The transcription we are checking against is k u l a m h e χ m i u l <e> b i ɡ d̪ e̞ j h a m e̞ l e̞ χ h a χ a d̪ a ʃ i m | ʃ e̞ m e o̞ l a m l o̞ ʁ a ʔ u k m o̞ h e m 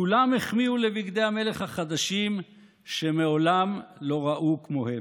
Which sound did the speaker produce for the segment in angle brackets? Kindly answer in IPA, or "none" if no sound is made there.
e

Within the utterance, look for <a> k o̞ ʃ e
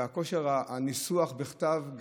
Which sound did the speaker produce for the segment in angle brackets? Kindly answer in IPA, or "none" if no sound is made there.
a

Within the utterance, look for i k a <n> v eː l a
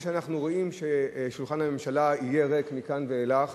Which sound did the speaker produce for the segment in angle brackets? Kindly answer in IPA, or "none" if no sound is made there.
n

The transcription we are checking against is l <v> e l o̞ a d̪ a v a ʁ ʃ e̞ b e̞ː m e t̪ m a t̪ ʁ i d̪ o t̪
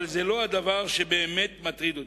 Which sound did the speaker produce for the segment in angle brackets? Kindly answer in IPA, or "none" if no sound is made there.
z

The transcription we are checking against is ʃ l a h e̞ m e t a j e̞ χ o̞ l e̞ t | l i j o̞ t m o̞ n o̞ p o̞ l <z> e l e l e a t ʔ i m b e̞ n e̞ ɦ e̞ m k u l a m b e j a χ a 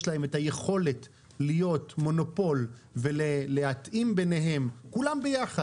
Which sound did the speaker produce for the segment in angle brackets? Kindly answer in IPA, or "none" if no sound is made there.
v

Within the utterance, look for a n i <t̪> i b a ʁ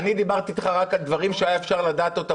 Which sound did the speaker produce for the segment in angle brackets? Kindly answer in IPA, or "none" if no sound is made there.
d̪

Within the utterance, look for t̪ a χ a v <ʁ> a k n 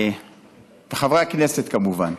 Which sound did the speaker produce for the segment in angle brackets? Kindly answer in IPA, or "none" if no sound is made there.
ʁ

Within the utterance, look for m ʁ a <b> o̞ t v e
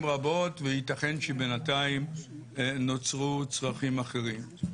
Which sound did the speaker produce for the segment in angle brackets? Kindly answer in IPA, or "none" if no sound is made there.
b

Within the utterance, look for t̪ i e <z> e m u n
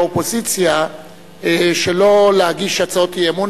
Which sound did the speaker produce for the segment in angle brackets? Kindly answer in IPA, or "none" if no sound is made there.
none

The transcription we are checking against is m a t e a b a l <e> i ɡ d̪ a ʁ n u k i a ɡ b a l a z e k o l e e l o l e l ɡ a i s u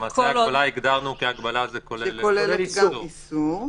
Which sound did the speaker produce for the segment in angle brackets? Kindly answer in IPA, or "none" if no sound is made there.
a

